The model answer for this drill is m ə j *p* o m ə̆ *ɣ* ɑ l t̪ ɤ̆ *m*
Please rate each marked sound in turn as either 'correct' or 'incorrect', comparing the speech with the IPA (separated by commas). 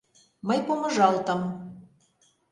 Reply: correct, incorrect, correct